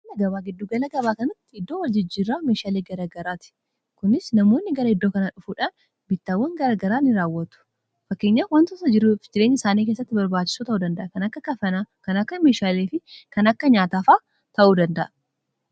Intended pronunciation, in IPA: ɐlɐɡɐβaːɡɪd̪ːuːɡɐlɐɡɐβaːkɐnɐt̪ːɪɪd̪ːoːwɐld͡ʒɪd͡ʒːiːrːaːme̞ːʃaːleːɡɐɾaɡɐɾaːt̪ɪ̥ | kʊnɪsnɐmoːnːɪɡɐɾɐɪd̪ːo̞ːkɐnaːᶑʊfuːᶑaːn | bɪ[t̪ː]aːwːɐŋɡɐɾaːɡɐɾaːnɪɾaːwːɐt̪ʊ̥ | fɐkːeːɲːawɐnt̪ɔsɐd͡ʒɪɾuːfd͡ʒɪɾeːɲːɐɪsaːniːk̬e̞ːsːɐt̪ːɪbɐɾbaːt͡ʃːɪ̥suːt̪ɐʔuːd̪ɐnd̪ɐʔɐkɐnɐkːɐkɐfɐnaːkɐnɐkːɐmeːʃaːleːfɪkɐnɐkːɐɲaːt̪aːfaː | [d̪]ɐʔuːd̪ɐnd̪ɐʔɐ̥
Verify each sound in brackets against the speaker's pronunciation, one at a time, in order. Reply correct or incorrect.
correct, incorrect

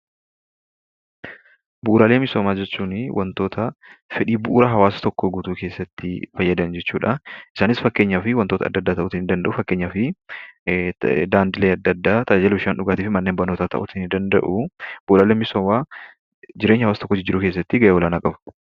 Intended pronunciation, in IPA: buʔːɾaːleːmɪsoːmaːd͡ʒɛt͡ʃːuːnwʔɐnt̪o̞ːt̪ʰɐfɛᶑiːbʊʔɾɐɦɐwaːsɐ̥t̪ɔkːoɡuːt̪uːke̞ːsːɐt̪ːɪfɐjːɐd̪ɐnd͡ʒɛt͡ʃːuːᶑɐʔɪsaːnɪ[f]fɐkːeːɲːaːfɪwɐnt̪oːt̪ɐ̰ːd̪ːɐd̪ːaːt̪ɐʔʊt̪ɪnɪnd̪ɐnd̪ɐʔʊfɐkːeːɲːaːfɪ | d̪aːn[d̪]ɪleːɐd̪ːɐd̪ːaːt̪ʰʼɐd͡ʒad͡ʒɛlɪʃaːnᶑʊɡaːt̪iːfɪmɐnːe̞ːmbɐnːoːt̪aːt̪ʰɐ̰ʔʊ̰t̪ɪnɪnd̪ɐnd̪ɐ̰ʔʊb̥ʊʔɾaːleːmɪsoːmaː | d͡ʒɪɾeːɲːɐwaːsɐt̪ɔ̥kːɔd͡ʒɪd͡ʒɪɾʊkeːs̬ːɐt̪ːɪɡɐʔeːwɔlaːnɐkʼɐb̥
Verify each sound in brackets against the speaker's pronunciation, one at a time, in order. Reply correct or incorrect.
incorrect, correct

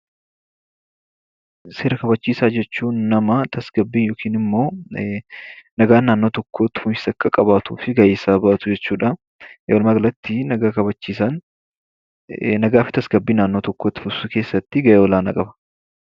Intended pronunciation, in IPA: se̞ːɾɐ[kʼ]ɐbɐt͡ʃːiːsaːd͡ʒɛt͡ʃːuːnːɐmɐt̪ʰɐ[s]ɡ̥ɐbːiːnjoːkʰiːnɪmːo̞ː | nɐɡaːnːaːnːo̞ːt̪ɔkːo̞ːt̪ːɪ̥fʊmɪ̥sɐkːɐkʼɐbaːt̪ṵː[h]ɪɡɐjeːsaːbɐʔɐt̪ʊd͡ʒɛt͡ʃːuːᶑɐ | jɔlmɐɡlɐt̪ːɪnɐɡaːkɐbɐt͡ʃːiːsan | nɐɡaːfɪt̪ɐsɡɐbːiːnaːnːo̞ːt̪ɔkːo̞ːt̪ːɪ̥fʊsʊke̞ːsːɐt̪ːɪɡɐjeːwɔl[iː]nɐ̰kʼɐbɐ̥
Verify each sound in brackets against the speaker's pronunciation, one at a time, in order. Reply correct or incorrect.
incorrect, correct, incorrect, incorrect

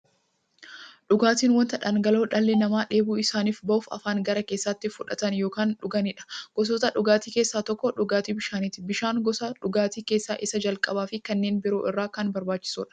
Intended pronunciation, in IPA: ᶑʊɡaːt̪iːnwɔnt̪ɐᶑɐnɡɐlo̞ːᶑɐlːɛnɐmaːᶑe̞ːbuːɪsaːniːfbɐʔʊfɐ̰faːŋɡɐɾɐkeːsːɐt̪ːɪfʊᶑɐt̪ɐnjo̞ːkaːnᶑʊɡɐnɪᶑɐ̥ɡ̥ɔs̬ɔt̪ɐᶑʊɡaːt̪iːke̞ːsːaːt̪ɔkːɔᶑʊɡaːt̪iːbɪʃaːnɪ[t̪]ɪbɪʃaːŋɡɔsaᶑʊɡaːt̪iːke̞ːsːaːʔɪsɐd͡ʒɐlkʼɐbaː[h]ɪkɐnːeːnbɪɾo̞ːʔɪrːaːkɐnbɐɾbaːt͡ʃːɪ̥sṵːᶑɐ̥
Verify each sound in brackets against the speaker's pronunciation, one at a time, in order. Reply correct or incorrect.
correct, incorrect

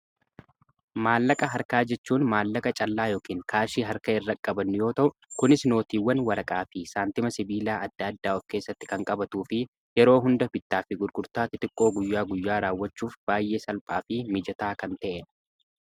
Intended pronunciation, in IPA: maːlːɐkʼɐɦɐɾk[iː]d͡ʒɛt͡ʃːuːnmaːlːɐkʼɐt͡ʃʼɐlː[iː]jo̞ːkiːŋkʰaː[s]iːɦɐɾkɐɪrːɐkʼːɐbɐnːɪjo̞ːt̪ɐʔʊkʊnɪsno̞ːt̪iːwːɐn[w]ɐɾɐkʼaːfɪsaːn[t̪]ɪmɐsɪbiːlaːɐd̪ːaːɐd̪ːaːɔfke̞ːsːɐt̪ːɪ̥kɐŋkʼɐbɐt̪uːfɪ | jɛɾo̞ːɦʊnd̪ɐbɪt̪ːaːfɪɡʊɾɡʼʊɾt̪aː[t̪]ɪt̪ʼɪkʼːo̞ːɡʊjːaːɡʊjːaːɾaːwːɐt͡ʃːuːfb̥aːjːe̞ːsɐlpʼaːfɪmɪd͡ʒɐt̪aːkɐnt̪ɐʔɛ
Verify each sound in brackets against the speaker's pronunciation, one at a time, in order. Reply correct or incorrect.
incorrect, incorrect, incorrect, correct, correct, correct

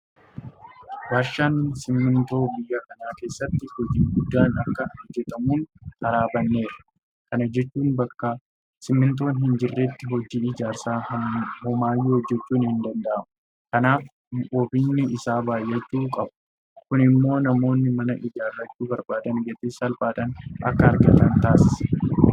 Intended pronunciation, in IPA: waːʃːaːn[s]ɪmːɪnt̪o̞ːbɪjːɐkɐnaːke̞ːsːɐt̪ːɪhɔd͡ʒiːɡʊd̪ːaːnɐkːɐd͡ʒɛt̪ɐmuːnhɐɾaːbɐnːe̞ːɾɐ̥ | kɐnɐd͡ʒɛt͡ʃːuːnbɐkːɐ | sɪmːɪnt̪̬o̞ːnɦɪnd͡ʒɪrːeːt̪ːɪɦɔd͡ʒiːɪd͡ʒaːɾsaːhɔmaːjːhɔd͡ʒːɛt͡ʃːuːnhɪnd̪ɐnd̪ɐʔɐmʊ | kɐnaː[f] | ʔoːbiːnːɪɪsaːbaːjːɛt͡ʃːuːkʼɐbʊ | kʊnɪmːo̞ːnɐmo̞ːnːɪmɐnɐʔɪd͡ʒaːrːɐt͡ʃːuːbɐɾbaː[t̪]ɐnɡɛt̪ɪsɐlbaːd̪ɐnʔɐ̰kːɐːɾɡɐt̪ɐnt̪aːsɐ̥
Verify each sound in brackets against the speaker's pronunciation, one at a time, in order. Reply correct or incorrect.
correct, correct, incorrect

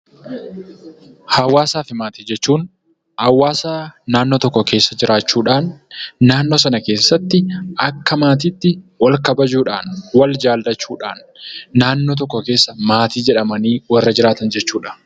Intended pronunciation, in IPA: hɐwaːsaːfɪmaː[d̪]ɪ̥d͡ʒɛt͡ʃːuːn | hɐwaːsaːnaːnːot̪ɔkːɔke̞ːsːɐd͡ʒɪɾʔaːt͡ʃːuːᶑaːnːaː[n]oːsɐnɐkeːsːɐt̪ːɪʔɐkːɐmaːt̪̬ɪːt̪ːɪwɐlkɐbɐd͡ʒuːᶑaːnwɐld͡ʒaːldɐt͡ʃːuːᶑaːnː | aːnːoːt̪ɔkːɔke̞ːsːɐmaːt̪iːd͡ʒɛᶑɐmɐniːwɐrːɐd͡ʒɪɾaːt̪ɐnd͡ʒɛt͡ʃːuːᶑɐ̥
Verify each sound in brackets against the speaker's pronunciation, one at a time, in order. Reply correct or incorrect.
incorrect, incorrect

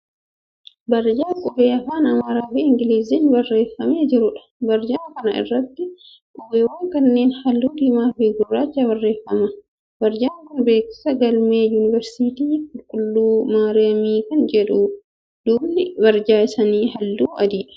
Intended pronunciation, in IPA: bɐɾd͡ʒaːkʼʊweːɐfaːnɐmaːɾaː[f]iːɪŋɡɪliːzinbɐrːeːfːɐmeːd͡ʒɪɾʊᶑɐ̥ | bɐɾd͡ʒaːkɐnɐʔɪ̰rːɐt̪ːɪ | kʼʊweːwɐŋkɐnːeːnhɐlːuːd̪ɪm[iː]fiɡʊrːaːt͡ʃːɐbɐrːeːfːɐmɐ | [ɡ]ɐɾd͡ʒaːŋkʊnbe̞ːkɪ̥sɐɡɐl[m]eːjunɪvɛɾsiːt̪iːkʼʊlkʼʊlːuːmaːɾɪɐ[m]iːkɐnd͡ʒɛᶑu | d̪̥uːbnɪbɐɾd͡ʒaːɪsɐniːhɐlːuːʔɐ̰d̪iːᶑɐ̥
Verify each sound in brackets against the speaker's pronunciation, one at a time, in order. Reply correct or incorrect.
correct, incorrect, incorrect, correct, correct

